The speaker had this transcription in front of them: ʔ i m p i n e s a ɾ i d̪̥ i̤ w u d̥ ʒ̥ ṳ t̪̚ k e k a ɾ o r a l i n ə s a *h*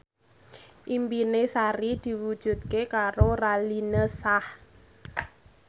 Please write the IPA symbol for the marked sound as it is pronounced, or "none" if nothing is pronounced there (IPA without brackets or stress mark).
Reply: h